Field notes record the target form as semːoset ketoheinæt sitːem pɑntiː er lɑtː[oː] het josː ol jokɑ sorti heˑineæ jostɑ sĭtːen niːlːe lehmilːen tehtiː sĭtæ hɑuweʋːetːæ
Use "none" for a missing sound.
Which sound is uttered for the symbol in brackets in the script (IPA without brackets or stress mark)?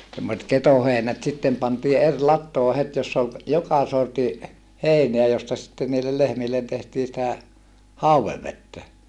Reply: oː